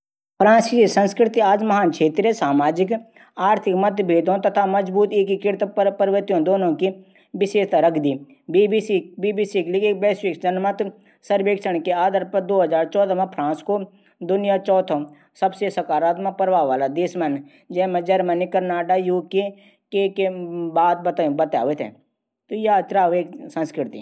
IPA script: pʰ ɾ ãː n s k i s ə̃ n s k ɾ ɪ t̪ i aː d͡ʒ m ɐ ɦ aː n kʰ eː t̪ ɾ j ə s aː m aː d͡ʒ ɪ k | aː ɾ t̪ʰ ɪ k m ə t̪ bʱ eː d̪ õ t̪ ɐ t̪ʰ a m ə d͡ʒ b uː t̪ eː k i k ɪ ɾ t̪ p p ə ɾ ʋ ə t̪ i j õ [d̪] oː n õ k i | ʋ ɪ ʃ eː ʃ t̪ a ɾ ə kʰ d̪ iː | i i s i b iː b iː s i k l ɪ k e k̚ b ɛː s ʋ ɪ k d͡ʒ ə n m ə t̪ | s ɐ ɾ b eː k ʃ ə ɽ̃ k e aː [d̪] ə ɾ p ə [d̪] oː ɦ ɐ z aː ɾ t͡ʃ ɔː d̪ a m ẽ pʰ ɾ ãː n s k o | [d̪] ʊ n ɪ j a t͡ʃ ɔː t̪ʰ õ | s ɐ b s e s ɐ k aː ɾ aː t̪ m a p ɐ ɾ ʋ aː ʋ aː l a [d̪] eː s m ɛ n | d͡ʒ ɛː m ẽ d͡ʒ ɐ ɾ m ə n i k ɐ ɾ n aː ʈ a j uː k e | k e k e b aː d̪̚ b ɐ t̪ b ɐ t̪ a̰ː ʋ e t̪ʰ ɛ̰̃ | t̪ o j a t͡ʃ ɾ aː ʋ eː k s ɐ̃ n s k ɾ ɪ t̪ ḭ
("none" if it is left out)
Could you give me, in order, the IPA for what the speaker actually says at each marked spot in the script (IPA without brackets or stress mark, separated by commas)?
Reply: d̪, d̪, d̪, d̪, d̪